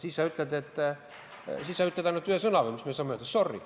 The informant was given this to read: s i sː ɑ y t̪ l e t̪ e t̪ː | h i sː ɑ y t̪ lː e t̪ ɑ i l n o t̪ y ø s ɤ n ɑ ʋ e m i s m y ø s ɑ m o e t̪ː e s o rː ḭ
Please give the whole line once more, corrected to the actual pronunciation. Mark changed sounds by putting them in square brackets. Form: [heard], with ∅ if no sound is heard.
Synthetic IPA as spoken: s i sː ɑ y t̪ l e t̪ e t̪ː | [s] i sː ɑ y t̪ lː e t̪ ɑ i [∅] n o t̪ y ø s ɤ n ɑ ʋ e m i s m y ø s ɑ m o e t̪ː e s o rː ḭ

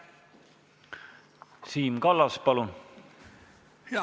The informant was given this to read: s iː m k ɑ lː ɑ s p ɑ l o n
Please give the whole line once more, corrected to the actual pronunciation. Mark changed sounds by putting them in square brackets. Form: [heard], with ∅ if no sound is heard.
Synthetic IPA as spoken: s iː m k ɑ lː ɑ s p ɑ l [u] n

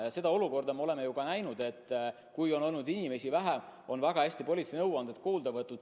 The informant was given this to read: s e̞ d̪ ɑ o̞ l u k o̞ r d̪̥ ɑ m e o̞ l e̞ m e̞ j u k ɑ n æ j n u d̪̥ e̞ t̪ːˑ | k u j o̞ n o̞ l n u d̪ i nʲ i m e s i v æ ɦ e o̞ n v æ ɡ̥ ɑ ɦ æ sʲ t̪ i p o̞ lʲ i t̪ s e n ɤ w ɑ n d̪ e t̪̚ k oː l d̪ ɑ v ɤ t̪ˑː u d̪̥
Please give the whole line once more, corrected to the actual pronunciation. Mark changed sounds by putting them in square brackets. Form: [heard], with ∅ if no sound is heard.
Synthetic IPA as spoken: s e̞ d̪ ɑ o̞ l u k o̞ r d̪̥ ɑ m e o̞ l e̞ m e̞ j u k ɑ n æ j n u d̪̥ e̞ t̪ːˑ | k u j o̞ n o̞ l n u d̪ i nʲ i m e s i v æ ɦ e o̞ n v æ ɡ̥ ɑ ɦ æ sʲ t̪ i p o̞ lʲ i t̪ s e n ɤ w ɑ n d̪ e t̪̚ k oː l d̪ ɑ v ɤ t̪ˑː u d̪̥

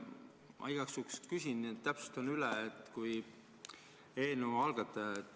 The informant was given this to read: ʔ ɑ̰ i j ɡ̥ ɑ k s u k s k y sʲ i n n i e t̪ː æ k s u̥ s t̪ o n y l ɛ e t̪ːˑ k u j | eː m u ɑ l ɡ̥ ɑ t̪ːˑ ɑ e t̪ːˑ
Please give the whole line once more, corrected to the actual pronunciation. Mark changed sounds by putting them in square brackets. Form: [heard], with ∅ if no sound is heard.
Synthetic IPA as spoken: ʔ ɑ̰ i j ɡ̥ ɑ k s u k s k y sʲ i n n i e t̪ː æ [p] s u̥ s t̪ o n y l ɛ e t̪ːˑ k u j | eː [n] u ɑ l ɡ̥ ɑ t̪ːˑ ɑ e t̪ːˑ

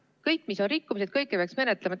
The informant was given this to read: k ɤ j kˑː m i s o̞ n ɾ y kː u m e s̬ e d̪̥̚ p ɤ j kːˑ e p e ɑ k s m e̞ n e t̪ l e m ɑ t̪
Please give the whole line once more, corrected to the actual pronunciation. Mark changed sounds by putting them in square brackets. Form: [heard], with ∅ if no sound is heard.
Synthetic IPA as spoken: k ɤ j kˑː m i s o̞ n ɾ [i] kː u m [i] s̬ e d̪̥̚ [k] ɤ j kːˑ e p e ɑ k s m e̞ n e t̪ l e m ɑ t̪

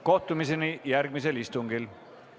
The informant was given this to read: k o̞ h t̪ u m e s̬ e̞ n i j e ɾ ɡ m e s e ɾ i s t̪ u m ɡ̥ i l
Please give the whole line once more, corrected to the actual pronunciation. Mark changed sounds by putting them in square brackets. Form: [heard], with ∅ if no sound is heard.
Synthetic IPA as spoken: k o̞ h t̪ u m [i] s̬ e̞ n i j [æ] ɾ ɡ m [i] s e [l] i s t̪ u [ŋ] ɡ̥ i l

